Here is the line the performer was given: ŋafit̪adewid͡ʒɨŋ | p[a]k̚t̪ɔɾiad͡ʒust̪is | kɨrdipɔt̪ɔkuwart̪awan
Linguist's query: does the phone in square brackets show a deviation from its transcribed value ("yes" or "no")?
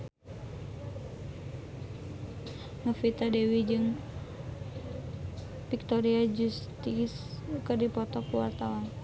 yes